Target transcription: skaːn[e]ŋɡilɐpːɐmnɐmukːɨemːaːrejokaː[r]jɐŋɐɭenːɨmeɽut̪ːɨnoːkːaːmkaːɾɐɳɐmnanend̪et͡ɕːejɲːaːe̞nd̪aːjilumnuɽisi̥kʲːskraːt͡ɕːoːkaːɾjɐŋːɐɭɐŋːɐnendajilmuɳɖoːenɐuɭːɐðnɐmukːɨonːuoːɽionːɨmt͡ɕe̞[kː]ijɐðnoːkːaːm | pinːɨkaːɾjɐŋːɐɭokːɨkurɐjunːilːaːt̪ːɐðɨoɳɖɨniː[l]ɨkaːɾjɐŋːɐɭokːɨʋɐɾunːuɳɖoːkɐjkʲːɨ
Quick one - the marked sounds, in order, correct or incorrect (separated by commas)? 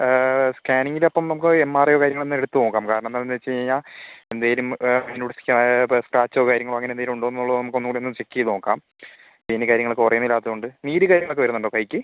incorrect, incorrect, correct, incorrect